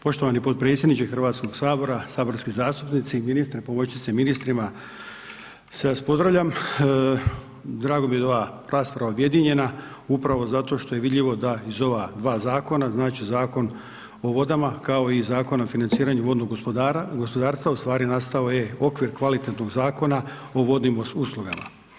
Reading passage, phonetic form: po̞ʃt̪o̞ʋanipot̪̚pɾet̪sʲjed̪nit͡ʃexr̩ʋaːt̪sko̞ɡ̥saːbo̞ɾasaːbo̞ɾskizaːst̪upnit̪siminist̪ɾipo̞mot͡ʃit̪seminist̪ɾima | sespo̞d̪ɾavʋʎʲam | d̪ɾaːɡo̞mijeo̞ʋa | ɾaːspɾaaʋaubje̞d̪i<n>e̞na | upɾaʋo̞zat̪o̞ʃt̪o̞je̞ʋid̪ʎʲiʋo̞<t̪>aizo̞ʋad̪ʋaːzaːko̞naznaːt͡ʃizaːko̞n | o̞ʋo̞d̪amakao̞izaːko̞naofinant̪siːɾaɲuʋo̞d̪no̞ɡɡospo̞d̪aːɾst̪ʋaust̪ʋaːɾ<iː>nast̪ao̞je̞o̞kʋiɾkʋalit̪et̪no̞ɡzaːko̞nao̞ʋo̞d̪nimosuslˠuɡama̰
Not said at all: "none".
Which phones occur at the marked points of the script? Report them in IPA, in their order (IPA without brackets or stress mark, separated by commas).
ɲ, d̪, i